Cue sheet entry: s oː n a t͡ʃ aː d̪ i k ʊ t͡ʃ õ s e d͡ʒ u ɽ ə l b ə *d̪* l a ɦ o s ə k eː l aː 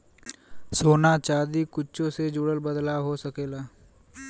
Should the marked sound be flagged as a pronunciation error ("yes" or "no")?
no